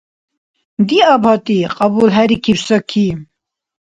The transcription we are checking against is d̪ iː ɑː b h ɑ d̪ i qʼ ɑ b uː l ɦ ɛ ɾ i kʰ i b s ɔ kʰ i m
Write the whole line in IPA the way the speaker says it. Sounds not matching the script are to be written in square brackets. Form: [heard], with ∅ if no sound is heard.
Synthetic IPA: d̪ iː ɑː b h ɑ [t̪] i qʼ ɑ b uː l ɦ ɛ ɾ i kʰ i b s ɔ kʰ i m